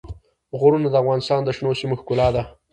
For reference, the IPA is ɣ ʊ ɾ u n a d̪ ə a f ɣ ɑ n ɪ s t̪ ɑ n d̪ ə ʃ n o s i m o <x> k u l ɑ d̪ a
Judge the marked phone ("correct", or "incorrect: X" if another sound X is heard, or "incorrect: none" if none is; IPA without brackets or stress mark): correct